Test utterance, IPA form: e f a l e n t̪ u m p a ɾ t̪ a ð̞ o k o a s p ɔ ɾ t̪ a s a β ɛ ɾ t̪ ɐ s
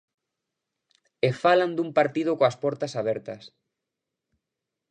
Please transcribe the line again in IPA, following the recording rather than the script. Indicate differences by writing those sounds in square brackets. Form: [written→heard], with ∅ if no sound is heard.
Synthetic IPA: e f a l [e→a] n [t̪→d̪] u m p a ɾ t̪ [a→i] ð̞ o k o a s p ɔ ɾ t̪ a s a β ɛ ɾ t̪ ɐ s